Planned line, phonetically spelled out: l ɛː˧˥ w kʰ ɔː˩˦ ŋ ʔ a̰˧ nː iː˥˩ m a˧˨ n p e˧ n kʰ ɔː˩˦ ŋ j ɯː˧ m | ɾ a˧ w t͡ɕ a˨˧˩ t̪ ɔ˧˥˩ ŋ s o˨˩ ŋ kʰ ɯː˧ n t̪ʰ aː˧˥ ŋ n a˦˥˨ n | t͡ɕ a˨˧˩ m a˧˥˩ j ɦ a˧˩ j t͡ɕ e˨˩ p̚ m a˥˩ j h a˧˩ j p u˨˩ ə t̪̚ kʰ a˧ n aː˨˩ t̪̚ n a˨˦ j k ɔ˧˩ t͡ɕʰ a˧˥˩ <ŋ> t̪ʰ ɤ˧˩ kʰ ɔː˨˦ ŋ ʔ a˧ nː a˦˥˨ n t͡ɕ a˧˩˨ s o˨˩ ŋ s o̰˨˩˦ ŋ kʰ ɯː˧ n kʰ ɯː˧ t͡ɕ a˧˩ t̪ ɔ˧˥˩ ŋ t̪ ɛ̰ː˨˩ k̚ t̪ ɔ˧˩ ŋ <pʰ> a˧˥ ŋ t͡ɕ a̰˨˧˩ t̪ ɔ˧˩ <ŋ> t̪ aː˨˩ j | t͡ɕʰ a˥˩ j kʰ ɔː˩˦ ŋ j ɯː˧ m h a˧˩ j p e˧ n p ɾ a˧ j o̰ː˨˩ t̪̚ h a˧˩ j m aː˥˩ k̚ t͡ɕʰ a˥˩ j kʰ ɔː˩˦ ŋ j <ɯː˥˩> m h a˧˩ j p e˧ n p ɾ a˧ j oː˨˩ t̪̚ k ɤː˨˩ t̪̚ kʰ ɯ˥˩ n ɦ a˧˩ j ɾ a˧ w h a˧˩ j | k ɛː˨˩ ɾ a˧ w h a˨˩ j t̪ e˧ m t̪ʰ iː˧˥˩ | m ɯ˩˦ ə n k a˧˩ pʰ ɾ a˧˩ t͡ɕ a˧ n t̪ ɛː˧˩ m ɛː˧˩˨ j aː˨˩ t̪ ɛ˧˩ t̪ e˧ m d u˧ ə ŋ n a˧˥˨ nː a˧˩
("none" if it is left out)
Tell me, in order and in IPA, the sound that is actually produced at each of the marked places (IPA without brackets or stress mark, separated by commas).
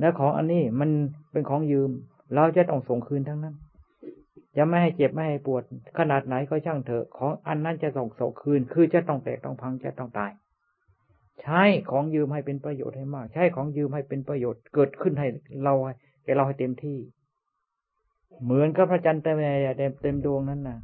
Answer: ŋ, pʰ, ŋ, ɯː˧